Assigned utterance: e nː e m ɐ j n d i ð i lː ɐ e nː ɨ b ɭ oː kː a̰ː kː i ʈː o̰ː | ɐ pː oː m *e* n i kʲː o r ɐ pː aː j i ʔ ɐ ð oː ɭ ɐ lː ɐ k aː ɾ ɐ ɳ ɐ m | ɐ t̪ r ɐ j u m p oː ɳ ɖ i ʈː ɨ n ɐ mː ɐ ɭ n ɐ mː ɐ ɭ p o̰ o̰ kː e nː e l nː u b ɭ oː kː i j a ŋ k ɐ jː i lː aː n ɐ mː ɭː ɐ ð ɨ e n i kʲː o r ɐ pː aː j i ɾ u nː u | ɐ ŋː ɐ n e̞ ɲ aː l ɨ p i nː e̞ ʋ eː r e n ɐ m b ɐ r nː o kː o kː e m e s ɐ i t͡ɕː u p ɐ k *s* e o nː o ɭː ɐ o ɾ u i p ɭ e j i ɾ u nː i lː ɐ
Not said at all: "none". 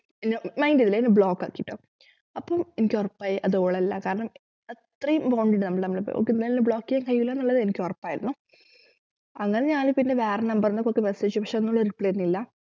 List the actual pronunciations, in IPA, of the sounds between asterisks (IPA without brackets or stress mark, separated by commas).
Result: e, ʂ